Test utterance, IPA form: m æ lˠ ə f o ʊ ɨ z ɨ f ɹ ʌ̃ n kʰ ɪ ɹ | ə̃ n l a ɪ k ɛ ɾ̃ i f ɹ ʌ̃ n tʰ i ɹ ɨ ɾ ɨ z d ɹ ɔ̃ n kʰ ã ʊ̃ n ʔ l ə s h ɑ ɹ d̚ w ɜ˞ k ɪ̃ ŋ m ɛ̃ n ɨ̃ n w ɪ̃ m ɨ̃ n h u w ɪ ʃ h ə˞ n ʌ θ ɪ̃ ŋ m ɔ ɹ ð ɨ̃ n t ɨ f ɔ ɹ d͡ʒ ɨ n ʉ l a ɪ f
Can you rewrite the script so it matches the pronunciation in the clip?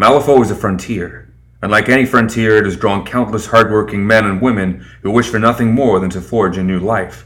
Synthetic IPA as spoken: m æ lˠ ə f o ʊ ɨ z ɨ f ɹ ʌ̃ n tʰ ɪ ɹ | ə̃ n l a ɪ k ɛ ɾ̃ i f ɹ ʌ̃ n tʰ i ɹ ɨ ɾ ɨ z d ɹ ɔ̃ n kʰ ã ʊ̃ n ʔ l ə s h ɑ ɹ d̚ w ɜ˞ k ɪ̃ ŋ m ɛ̃ n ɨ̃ n w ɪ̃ m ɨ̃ n h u w ɪ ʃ f ə˞ n ʌ θ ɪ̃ ŋ m ɔ ɹ ð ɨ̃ n t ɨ f ɔ ɹ d͡ʒ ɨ n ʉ l a ɪ f